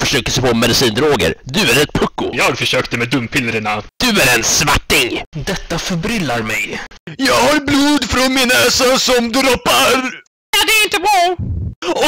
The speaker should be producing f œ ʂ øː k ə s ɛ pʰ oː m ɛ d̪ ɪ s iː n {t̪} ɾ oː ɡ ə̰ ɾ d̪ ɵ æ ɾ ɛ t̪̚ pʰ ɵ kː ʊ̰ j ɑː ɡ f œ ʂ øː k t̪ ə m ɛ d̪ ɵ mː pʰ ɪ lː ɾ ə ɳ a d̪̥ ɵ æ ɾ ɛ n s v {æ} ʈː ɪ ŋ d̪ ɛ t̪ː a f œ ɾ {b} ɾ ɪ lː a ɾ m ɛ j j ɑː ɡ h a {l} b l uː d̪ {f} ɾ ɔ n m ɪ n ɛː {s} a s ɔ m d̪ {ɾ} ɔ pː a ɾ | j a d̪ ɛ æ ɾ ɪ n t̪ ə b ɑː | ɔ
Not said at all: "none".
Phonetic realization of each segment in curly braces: d̪, a, b, ɾ, f, s, ɾ

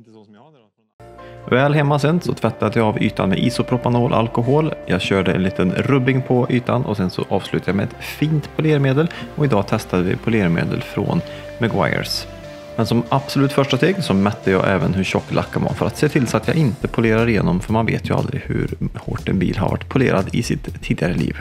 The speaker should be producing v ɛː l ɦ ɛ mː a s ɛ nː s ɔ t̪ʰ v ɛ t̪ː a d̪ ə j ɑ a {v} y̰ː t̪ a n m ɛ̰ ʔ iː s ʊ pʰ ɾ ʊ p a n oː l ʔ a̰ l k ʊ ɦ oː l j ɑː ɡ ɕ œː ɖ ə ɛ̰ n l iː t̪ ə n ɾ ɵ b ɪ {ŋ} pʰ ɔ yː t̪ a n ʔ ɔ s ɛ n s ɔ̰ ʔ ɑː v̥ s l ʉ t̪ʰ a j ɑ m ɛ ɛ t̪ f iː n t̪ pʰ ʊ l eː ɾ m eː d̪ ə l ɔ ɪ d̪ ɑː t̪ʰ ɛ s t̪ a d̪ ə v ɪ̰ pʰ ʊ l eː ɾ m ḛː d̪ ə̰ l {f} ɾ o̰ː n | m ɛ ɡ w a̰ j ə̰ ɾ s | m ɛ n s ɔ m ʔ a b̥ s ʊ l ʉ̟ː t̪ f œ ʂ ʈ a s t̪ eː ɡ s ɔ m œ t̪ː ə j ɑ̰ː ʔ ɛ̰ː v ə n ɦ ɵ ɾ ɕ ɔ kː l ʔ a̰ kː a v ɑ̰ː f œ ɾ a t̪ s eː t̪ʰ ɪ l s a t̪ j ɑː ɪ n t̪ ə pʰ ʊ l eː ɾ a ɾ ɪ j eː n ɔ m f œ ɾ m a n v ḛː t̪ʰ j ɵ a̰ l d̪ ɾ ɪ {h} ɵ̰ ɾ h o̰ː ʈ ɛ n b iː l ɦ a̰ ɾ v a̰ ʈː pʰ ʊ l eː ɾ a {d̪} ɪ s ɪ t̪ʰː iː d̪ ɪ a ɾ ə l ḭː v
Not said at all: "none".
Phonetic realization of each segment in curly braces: v, ŋ, f, h, d̪

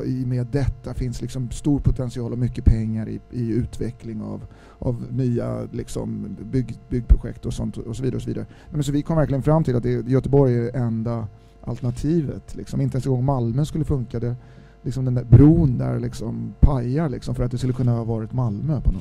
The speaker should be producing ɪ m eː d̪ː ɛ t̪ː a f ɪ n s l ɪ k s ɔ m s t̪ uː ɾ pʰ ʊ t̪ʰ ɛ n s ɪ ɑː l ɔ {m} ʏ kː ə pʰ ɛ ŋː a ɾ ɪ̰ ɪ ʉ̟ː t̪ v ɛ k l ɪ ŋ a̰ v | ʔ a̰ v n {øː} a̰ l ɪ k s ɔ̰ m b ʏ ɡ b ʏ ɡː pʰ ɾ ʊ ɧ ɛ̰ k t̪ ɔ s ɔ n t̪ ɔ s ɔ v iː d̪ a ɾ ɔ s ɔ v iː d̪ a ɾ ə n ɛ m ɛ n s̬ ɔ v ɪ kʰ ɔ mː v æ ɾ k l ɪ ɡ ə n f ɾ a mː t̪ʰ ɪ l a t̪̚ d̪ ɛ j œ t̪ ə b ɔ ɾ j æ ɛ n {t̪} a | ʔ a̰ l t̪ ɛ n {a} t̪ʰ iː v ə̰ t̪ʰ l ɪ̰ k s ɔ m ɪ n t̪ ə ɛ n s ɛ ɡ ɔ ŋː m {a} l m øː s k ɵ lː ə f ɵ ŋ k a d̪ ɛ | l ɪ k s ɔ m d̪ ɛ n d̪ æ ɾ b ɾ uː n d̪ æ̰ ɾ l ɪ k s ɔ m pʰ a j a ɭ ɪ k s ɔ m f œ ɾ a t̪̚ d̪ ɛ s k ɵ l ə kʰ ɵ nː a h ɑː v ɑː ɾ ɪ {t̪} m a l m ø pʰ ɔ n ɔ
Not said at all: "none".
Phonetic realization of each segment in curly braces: m, yː, d̪, a, a, t̪

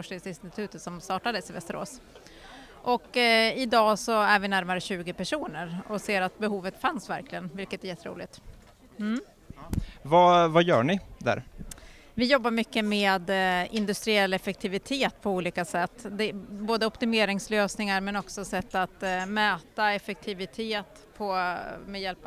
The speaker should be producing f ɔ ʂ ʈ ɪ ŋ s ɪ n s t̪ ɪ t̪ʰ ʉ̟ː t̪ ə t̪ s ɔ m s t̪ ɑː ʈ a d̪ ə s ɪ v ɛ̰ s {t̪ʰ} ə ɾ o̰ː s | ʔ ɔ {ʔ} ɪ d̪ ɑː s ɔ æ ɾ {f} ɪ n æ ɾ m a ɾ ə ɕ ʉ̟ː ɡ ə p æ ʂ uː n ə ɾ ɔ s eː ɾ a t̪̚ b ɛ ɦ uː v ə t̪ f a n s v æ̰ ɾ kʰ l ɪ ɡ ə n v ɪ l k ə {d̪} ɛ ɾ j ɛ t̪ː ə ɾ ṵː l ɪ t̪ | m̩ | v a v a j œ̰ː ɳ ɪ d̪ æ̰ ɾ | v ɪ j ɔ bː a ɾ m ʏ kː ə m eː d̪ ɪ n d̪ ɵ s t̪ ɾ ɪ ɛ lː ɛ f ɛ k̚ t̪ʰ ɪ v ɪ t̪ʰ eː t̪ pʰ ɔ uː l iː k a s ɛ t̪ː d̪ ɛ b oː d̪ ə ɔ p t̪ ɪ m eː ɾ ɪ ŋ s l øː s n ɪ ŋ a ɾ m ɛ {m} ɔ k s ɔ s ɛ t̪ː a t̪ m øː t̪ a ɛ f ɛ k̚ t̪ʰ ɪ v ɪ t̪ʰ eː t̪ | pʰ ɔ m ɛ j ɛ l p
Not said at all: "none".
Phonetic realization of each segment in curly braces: t̪, k, v, t̪, n

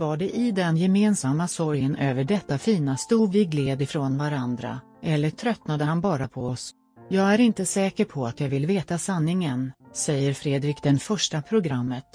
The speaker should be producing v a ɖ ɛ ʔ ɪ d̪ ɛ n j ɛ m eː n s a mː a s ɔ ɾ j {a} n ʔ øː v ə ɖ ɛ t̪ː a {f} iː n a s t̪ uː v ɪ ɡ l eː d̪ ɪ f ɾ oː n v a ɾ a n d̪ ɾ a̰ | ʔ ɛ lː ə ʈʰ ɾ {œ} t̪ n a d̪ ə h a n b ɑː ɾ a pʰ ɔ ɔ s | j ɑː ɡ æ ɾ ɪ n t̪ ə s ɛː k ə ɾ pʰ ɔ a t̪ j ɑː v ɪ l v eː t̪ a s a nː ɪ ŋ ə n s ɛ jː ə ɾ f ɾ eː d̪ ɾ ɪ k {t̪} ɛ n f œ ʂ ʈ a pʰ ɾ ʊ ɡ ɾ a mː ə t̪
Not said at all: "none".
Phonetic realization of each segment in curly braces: ə, f, œ, d̪

